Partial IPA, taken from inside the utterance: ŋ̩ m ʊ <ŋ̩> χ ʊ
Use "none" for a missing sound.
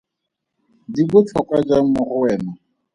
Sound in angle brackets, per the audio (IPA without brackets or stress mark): none